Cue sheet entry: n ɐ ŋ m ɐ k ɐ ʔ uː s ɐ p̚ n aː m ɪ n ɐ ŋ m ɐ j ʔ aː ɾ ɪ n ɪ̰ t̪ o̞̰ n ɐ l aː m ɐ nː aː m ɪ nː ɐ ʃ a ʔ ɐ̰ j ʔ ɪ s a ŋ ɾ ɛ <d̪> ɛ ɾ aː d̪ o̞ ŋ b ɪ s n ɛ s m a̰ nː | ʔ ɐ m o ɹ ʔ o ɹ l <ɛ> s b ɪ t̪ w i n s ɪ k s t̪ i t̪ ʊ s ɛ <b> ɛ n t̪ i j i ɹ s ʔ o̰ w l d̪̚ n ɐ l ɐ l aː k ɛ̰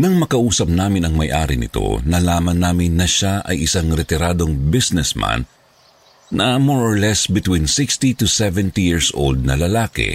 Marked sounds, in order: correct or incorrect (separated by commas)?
incorrect, correct, incorrect